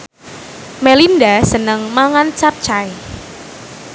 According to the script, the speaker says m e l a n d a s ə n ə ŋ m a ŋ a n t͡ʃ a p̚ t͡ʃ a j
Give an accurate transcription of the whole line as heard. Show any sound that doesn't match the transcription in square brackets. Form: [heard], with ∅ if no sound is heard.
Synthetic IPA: m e l [i] n d a s ə n ə ŋ m a ŋ a n t͡ʃ a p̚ t͡ʃ a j